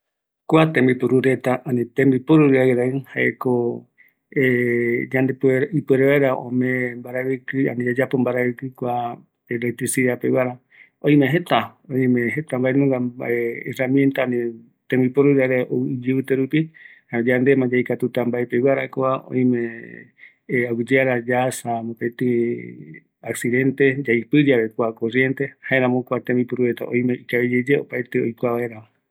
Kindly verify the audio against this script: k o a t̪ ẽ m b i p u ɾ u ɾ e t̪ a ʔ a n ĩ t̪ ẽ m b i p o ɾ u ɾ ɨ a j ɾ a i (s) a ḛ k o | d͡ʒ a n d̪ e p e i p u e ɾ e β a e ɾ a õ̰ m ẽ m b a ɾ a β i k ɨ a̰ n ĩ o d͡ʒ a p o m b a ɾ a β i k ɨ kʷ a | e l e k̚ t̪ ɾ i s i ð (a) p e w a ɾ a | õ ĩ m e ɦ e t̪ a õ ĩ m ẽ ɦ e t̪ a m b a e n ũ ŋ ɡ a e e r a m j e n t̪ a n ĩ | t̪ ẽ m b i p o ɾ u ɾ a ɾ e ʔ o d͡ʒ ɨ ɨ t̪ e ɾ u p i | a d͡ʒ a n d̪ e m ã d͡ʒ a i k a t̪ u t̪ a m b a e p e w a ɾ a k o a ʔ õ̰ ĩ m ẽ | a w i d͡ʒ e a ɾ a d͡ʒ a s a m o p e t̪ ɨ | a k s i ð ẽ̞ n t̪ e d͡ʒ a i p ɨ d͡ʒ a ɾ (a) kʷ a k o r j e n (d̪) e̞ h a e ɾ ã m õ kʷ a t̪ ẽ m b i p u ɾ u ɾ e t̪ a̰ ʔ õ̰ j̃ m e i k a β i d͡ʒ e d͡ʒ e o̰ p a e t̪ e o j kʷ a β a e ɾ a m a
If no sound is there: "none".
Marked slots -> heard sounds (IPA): h, a, e, t̪

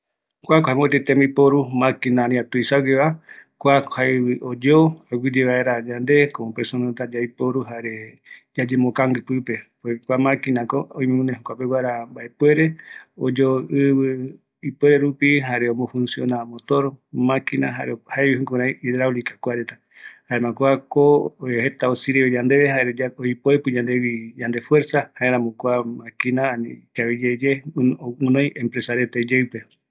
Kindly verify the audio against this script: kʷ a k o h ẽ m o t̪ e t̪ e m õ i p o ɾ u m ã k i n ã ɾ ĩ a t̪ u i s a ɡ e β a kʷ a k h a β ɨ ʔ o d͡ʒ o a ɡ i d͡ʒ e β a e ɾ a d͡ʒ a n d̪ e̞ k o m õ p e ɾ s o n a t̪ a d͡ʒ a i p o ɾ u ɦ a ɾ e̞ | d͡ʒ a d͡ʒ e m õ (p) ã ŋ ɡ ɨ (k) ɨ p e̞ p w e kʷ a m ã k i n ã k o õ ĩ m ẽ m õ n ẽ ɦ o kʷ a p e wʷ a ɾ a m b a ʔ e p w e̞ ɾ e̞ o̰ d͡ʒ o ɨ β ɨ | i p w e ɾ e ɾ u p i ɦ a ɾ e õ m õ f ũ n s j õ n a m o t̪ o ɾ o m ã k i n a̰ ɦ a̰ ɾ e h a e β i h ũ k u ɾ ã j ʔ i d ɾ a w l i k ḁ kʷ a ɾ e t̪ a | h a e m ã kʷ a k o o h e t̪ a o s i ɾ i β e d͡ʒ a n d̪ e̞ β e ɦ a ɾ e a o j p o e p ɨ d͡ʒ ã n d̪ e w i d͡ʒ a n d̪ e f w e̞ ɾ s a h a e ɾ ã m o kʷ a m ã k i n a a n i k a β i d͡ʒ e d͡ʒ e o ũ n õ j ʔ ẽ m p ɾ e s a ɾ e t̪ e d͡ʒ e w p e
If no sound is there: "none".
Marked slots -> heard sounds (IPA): k, p

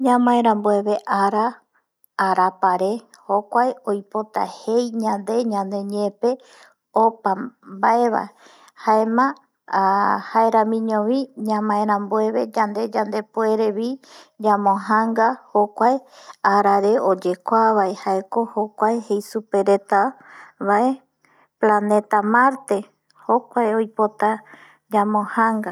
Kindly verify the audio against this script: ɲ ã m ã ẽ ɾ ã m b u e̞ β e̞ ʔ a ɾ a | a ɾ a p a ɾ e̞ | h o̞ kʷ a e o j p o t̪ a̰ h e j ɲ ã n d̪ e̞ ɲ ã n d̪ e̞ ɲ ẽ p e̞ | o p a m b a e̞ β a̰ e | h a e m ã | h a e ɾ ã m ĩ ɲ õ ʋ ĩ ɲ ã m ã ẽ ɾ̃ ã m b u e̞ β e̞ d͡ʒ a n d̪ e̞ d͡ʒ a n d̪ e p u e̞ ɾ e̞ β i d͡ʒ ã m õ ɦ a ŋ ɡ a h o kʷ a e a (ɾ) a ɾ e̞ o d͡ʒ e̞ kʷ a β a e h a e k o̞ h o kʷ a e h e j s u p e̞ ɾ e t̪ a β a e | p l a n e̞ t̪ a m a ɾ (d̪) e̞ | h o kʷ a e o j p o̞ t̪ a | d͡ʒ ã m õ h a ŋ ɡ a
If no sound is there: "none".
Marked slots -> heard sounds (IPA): ɾ, t̪

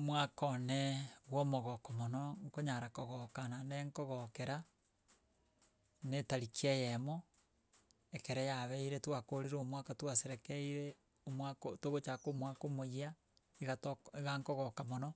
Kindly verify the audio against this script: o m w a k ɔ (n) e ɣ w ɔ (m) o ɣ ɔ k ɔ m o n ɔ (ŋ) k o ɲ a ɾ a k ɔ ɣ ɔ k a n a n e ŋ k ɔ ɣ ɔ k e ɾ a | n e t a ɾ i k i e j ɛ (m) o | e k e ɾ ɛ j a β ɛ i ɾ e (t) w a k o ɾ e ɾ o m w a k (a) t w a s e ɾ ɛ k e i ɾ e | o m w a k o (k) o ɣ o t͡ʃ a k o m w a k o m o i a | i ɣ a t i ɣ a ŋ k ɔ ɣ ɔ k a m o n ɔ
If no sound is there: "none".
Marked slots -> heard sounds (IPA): n, m, ŋ, m, t, a, t

